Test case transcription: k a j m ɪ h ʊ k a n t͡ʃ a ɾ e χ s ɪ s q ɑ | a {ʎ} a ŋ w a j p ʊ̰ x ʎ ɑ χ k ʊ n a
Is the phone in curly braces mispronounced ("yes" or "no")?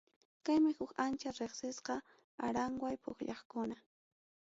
yes